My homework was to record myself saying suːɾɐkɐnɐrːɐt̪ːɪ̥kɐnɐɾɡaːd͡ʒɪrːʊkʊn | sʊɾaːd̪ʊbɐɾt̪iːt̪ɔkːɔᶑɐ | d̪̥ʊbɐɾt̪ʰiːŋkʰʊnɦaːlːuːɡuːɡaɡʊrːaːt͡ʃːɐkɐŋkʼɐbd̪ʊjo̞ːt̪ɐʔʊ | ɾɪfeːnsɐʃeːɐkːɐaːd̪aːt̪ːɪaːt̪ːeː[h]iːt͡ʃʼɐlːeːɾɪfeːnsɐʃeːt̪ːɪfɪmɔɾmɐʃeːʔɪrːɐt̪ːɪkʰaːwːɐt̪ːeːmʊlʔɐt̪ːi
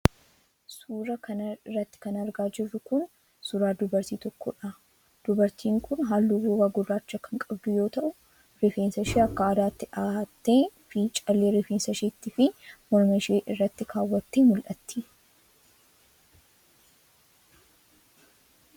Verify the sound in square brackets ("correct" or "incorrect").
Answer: incorrect